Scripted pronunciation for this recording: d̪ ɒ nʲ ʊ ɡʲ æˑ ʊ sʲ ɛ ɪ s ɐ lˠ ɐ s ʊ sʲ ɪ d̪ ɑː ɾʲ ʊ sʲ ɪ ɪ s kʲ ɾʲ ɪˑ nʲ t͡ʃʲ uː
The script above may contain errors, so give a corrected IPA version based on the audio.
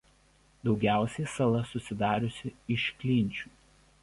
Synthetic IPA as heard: d̪ ɒ ʊ ɡʲ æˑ ʊ sʲ ɛ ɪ s ɐ lˠ ɐ s ʊ sʲ ɪ d̪ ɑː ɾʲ ʊ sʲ ɪ ɪ ʃ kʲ lʲ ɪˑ nʲ t͡ʃʲ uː